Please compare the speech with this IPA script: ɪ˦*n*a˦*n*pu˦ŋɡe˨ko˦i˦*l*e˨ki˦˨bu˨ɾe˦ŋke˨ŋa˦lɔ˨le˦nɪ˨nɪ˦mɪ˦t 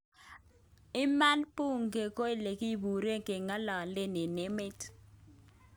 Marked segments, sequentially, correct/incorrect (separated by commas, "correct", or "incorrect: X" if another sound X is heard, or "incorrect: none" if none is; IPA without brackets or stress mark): incorrect: m, correct, correct